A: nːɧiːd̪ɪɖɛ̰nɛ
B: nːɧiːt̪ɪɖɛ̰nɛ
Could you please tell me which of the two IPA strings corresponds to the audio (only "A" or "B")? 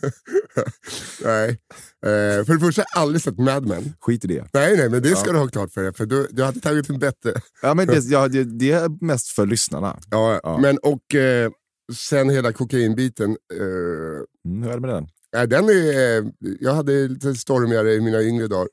B